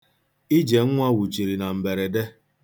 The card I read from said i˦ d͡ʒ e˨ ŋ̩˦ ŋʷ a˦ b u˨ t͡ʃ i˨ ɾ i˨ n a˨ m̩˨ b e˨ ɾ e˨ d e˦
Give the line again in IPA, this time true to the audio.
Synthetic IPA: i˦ d͡ʒ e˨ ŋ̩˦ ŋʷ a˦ w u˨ t͡ʃ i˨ ɾ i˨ n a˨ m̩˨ b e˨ ɾ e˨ d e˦